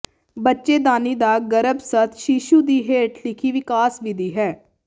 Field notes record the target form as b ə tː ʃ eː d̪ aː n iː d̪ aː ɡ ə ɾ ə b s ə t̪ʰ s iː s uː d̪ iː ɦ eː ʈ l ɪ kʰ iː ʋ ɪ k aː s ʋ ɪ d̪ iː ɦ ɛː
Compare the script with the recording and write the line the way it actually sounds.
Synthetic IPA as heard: b ə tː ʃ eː d̪ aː n iː d̪ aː ɡ ə ɾ ə b s ə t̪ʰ ʃ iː ʃ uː d̪ iː ɦ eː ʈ l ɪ kʰ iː ʋ ɪ k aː s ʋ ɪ d̪ iː ɦ ɛː